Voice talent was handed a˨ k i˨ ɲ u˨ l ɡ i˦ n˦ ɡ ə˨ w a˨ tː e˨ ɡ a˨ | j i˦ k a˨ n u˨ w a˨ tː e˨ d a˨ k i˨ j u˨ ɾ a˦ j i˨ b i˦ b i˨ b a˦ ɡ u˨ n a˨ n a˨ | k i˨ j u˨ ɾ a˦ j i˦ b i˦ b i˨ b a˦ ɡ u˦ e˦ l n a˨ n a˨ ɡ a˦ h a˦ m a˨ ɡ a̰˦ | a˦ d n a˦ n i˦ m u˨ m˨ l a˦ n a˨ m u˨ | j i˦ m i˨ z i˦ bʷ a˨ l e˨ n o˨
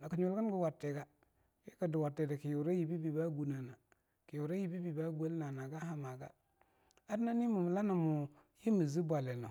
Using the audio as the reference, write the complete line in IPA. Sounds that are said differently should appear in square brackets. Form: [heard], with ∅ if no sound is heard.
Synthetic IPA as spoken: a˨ k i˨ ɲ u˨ l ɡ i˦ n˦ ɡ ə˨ w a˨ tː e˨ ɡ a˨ | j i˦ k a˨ [d] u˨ w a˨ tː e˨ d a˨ k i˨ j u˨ ɾ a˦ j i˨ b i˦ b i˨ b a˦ ɡ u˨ n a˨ n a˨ | k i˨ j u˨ ɾ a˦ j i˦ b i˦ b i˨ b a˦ ɡ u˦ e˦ l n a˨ n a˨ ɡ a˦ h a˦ m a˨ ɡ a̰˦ | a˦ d n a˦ n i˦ m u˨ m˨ l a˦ n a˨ m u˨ | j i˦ m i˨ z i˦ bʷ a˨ l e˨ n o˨